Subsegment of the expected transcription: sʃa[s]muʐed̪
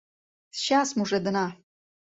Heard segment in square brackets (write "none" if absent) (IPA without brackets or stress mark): s